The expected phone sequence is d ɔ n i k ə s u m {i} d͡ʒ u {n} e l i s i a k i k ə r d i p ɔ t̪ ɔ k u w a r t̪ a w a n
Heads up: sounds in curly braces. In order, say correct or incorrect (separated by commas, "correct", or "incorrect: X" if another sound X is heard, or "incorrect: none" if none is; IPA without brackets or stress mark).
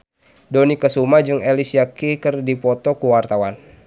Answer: incorrect: a, incorrect: ŋ